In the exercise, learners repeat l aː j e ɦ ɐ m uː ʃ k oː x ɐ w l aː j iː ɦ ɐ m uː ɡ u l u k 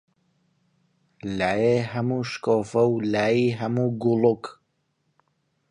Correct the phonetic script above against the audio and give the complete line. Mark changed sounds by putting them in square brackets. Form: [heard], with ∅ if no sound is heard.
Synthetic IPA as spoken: l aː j e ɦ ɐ m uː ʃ k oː [f] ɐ w l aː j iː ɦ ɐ m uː ɡ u l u k

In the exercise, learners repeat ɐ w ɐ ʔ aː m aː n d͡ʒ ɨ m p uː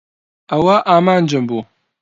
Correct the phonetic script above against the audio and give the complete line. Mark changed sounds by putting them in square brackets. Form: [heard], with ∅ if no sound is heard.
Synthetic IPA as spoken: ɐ w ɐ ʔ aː m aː n d͡ʒ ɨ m [b] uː

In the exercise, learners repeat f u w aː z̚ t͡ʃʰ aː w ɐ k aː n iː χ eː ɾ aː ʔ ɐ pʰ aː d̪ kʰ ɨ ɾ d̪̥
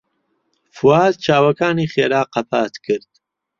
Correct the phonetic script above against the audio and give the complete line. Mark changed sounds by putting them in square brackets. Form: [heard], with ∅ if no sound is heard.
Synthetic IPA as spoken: f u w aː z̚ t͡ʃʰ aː w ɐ k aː n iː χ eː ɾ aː [q] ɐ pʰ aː [t̪] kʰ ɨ ɾ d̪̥

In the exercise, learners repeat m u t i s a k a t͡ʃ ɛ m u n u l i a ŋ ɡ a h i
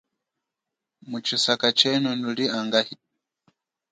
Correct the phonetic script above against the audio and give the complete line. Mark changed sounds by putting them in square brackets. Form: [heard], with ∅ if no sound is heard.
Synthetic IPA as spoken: m u [t͡ʃ] i s a k a t͡ʃ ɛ [n] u n u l i a ŋ ɡ a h i

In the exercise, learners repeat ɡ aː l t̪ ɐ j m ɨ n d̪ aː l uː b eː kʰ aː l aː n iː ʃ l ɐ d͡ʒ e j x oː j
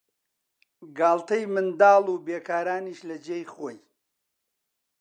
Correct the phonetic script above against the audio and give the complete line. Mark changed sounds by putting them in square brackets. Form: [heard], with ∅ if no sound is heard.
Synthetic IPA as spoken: ɡ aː l t̪ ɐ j m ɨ n d̪ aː l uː b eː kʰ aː [ɾ] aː n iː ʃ l ɐ d͡ʒ e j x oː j

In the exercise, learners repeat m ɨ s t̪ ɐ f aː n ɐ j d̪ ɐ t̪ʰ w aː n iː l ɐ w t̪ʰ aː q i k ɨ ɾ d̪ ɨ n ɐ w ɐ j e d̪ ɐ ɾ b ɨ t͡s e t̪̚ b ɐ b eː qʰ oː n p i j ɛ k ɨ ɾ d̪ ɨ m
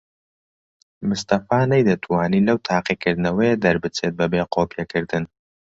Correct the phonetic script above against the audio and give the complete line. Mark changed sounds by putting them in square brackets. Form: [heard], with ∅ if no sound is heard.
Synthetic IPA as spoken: m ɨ s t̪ ɐ f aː n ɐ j d̪ ɐ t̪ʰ w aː n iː l ɐ w t̪ʰ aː q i k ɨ ɾ d̪ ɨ n ɐ w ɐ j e d̪ ɐ ɾ b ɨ t͡s e t̪̚ b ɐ b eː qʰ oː [∅] p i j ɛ k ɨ ɾ d̪ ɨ [n]

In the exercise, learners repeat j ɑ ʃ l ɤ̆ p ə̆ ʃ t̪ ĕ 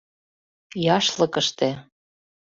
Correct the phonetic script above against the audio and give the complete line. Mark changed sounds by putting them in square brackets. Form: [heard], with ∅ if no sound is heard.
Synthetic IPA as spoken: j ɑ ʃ l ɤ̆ [k] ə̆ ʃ t̪ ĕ

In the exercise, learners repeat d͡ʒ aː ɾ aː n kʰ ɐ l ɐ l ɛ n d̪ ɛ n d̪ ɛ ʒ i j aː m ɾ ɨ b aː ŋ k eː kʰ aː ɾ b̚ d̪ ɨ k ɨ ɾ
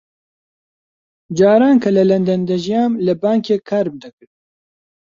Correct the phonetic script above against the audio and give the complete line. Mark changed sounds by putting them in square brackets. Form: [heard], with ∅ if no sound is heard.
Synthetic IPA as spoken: d͡ʒ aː ɾ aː n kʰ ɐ l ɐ l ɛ n d̪ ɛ n d̪ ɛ ʒ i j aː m [l] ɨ b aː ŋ k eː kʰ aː ɾ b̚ d̪ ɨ k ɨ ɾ

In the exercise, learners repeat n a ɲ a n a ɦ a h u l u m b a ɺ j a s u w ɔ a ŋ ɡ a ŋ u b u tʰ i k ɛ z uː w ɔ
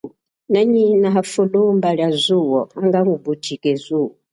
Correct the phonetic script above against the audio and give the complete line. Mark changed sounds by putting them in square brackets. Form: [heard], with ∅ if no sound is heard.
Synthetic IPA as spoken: n a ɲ [i] n a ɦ a [f] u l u m b a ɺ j a [z] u w ɔ a ŋ ɡ a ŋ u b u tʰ i k ɛ z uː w ɔ

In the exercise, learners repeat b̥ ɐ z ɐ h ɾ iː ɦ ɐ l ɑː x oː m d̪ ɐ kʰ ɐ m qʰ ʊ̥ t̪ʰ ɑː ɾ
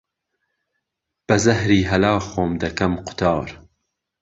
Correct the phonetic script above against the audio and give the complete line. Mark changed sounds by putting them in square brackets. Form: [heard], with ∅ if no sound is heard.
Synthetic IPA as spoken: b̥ ɐ z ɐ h ɾ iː ɦ ɐ l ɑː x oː m d̪ ɐ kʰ ɐ m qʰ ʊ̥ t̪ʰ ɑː ɾ

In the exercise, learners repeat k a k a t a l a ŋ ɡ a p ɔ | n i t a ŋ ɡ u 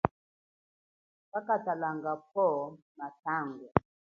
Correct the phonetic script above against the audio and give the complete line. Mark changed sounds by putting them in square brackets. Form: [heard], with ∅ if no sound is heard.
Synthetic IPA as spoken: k a k a t a l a ŋ ɡ a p ɔ | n [a] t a ŋ ɡ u

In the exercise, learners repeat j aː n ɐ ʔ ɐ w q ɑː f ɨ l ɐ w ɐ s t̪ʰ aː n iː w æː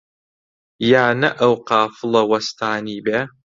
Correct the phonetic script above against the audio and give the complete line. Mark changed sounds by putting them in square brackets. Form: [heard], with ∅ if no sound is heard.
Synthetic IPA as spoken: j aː n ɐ ʔ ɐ w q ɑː f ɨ l ɐ w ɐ s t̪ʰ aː n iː [b] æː

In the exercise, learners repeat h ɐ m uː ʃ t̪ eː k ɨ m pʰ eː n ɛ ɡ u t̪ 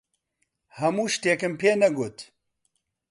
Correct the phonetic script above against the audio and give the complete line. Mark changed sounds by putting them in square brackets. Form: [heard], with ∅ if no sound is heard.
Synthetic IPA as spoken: h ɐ m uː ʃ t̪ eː k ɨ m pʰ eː n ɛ ɡ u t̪

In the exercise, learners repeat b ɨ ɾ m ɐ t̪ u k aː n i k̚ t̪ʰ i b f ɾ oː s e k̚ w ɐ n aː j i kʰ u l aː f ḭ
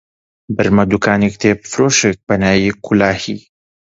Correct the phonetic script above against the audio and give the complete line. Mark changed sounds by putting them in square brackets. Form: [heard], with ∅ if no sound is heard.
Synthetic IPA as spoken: b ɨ ɾ m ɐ [d̪] u k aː n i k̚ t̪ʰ [e] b f ɾ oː [ʃ] e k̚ [b] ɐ n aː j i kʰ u l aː [h] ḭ

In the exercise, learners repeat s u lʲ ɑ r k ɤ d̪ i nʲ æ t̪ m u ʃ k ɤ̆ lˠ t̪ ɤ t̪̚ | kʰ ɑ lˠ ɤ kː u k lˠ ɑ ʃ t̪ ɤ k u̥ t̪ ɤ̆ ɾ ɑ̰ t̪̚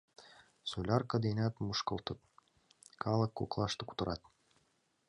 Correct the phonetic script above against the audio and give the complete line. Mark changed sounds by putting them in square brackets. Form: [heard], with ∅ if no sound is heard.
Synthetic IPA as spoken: s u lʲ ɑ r k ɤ d̪ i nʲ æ t̪ m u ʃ k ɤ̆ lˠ t̪ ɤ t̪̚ | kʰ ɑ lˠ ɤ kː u k lˠ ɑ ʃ t̪ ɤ k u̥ t̪ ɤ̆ ɾ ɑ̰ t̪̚

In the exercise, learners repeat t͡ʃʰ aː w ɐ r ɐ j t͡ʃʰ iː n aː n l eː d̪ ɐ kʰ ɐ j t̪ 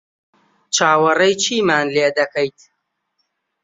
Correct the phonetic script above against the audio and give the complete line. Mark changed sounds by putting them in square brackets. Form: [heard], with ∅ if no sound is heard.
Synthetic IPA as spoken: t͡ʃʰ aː w ɐ r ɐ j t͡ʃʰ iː [m] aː n l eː d̪ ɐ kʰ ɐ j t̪

